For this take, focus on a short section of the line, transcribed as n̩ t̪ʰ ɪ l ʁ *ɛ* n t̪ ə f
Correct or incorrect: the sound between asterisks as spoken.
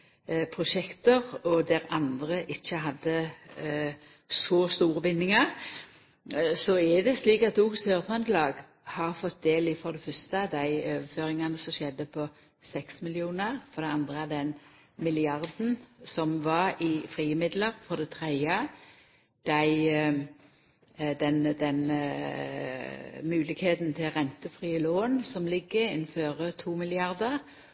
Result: correct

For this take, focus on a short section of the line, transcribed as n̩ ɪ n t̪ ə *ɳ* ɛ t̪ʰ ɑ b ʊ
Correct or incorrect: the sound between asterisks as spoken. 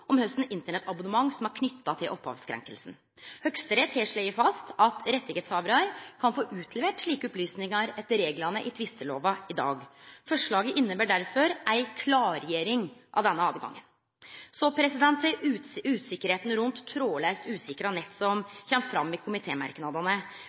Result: correct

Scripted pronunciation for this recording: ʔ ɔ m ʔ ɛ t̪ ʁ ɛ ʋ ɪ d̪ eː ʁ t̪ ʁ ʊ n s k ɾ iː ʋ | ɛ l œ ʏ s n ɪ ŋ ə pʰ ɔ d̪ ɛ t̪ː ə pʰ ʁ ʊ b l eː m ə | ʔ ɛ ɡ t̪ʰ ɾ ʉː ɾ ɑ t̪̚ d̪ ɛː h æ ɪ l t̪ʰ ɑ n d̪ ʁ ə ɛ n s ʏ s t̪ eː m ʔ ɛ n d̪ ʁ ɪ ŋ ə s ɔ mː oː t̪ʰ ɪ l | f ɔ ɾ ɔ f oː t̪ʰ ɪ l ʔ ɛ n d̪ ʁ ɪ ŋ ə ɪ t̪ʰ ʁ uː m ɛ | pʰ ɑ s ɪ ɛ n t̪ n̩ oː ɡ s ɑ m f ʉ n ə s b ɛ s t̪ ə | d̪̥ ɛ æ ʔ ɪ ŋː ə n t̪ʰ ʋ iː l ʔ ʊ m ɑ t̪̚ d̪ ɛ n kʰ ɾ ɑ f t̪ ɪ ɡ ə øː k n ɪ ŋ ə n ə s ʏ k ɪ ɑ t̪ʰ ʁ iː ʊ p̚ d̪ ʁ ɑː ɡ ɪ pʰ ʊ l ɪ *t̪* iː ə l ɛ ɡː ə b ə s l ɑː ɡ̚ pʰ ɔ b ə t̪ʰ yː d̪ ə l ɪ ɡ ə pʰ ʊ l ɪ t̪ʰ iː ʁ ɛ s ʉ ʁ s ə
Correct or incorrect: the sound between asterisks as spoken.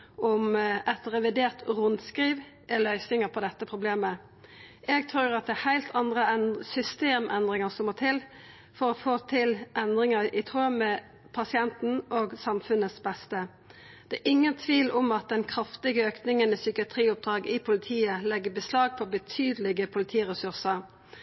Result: incorrect: t̪ʰ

